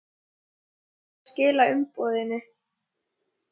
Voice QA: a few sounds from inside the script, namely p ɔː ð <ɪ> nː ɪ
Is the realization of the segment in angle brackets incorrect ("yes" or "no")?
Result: no